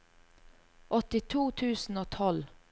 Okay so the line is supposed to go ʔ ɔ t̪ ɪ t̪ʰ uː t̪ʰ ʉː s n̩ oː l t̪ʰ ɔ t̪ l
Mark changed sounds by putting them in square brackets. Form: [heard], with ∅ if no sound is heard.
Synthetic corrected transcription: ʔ ɔ t̪ ɪ t̪ʰ uː t̪ʰ ʉː s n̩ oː [∅] t̪ʰ ɔ [∅] l